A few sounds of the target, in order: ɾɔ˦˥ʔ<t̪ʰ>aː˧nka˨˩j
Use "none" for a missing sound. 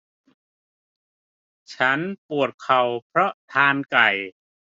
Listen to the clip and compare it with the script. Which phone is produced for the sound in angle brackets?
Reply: t̪ʰ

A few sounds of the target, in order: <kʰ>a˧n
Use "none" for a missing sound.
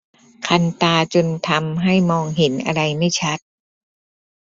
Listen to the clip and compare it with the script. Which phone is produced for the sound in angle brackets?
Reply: kʰ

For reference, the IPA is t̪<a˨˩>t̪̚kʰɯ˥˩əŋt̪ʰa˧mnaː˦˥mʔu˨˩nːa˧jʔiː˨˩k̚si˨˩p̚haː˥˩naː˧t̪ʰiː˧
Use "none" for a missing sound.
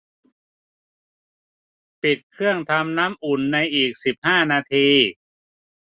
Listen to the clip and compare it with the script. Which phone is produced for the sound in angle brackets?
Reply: i˨˩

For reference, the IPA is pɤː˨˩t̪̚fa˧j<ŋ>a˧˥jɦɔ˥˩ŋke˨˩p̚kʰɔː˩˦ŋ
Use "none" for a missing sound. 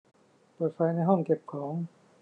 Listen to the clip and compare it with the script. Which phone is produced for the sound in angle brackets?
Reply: n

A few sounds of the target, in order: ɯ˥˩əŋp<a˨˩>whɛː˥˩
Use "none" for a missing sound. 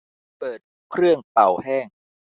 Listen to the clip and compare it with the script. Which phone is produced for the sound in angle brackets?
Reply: a˨˩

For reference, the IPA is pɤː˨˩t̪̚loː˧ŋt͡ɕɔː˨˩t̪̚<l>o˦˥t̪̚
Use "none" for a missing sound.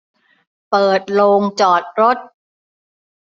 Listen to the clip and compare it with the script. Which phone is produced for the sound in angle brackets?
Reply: ɾ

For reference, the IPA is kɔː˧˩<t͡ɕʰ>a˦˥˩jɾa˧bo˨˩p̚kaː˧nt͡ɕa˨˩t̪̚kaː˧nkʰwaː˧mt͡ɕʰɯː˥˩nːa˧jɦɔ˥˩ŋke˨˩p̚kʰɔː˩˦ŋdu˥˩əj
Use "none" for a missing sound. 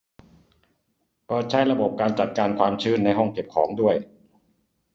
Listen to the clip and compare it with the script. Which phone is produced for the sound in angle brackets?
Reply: t͡ɕʰ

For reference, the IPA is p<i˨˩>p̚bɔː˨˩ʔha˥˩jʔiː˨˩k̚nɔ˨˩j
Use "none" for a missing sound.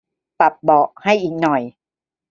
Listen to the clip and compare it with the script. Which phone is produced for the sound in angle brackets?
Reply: a˨˩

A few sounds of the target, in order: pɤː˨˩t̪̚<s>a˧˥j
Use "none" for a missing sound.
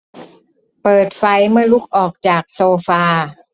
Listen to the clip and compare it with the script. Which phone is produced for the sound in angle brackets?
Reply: f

